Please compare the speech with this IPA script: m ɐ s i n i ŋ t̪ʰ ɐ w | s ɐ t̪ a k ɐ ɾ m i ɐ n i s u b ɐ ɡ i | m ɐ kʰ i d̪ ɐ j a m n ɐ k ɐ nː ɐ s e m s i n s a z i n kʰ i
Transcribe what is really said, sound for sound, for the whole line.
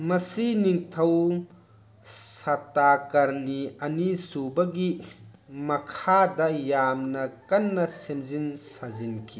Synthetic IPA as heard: m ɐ s i n i ŋ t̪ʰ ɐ w | s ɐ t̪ a k ɐ ɾ n i ɐ n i s u b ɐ ɡ i | m ɐ kʰ a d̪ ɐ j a m n ɐ k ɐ nː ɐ s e m z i n s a z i n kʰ i